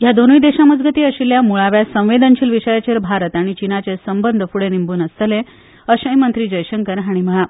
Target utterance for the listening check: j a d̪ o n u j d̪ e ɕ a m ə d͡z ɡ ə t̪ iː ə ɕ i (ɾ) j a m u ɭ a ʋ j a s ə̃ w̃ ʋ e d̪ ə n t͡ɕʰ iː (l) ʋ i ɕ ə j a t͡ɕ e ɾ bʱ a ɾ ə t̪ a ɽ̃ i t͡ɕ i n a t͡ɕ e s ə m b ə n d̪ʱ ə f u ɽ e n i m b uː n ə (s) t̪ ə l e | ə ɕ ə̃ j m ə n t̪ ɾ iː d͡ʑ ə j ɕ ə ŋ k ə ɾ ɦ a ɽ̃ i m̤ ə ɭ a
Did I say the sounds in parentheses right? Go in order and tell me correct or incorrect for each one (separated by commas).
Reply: incorrect, correct, correct